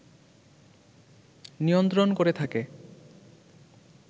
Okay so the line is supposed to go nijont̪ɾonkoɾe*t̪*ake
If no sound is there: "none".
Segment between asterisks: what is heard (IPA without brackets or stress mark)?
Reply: t̪ʰ